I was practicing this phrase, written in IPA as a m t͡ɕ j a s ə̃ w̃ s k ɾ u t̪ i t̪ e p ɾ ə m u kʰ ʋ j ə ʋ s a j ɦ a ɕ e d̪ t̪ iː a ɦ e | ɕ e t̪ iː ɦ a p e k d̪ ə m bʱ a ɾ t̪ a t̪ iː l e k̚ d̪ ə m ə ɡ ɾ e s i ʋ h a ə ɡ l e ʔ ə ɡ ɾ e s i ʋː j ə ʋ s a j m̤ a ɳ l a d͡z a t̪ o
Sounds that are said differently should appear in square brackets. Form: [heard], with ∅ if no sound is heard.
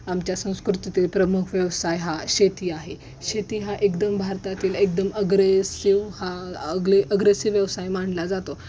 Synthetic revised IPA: a m t͡ɕ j a s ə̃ w̃ s k ɾ u t̪ i t̪ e p ɾ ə m u kʰ ʋ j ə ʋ s a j ɦ a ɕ e [∅] t̪ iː a ɦ e | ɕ e t̪ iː ɦ a [ʔ] e k d̪ ə m bʱ a ɾ t̪ a t̪ iː l e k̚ d̪ ə m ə ɡ ɾ e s i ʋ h a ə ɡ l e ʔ ə ɡ ɾ e s i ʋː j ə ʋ s a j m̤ a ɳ l a d͡z a t̪ o

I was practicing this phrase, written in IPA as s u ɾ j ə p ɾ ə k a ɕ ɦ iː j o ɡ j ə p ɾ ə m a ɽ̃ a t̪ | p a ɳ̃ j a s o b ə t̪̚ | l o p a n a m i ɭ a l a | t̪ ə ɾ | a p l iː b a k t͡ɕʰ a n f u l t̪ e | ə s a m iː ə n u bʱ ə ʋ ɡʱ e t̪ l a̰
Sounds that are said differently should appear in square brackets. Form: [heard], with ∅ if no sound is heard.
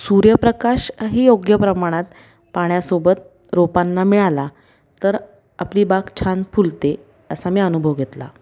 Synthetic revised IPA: s u ɾ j ə p ɾ ə k a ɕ ɦ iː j o ɡ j ə p ɾ ə m a ɽ̃ a t̪ | p a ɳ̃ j a s o b ə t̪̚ | [ɾ] o p a [nː] a m i ɭ a l a | t̪ ə ɾ | a p l iː b a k t͡ɕʰ a n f u l t̪ e | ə s a m iː ə n u bʱ ə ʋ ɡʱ e t̪ l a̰

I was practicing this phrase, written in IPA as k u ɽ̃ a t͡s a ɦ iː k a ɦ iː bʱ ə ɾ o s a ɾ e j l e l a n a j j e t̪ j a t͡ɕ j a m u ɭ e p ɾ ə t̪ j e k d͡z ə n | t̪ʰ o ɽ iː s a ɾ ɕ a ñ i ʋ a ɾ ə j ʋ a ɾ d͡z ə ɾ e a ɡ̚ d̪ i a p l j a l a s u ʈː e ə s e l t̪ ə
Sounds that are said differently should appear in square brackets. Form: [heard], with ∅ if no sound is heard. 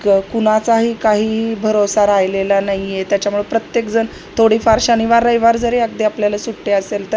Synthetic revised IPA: k u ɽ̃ a t͡s a ɦ iː k a ɦ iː bʱ ə ɾ o s a ɾ [a] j l e l a n a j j e t̪ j a t͡ɕ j a m u ɭ e p ɾ ə t̪ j e k d͡z ə n | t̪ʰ o ɽ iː [f] a ɾ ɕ a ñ i ʋ a ɾ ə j ʋ a ɾ d͡z ə ɾ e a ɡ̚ d̪ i a p l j a l a s u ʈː e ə s e l t̪ ə

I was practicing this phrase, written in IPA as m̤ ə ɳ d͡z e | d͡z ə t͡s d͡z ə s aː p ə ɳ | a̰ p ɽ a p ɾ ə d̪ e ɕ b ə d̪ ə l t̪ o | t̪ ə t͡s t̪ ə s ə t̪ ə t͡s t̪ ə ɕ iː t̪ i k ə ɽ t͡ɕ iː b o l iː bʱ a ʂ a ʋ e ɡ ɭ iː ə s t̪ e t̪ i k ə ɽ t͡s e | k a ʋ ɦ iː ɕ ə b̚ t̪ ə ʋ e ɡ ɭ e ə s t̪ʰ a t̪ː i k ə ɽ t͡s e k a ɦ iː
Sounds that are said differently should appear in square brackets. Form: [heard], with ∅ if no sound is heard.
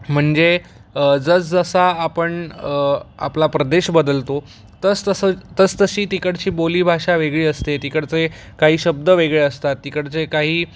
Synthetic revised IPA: m̤ ə ɳ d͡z e | d͡z ə t͡s d͡z ə s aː p ə ɳ | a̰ p [l] a p ɾ ə d̪ e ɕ b ə d̪ ə l t̪ o | t̪ ə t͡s t̪ ə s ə t̪ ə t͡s t̪ ə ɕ iː t̪ i k ə ɽ t͡ɕ iː b o l iː bʱ a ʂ a ʋ e ɡ ɭ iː ə s t̪ e t̪ i k ə ɽ t͡s e | k a [∅] ɦ iː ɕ ə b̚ [d̪] ə ʋ e ɡ ɭ e ə s [t̪] a t̪ː i k ə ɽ t͡s e k a ɦ iː

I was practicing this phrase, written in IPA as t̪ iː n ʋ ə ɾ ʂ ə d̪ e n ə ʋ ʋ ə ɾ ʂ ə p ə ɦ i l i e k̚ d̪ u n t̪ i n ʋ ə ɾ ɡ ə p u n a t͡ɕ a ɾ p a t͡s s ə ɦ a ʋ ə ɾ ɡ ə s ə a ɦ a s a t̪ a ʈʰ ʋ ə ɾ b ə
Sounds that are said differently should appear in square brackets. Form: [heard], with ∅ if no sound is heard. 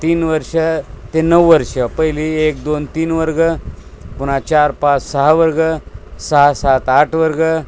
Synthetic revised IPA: t̪ iː n ʋ ə ɾ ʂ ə [t̪] e n ə ʋ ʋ ə ɾ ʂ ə p ə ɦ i l i e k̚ d̪ [o] n t̪ [iː] n ʋ ə ɾ ɡ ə p u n a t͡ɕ a ɾ p a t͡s s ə ɦ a ʋ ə ɾ ɡ ə s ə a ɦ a s a t̪ a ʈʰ ʋ ə ɾ [ɡ] ə

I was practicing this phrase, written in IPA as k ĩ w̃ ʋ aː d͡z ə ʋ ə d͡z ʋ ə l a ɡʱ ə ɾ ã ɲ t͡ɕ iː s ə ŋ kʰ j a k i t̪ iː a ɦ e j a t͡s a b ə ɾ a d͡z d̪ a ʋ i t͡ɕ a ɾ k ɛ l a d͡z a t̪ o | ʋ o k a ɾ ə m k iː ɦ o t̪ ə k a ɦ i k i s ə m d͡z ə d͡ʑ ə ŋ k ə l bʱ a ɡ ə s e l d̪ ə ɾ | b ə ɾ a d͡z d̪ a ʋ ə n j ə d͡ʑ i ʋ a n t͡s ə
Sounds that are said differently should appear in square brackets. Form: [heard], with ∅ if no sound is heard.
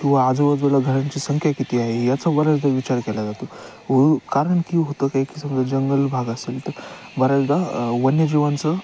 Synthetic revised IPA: k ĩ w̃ ʋ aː d͡z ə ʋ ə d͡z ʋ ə l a ɡʱ ə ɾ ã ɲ t͡ɕ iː s ə ŋ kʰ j a k i t̪ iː a ɦ e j a t͡s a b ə ɾ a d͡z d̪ a ʋ i t͡ɕ a ɾ k ɛ l a d͡z a t̪ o | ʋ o k a ɾ ə [ɳ] k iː ɦ o t̪ ə k a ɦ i k i s ə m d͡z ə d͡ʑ ə ŋ [ɡ] ə l bʱ a ɡ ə s e l [t̪] ə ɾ | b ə ɾ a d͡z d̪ a ʋ ə n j ə d͡ʑ i ʋ a n t͡s ə

